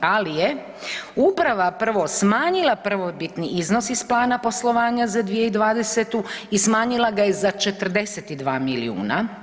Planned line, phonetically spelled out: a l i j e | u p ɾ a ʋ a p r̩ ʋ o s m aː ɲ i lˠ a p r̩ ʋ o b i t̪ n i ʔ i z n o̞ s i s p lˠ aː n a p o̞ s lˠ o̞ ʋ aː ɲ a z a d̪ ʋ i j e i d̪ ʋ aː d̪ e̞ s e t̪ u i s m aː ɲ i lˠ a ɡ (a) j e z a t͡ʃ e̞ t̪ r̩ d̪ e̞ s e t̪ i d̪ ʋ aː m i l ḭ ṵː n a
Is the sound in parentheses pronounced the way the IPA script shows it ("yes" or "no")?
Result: yes